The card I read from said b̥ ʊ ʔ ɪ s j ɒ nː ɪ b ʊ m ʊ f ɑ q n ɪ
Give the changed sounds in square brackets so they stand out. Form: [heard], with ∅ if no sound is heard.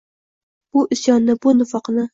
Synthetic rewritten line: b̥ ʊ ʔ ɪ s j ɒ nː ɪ b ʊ [n] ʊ f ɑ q n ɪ